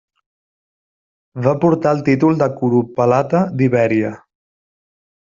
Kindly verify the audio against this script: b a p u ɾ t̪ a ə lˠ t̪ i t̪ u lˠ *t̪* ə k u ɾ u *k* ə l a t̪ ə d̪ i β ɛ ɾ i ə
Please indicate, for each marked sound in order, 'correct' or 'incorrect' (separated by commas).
incorrect, incorrect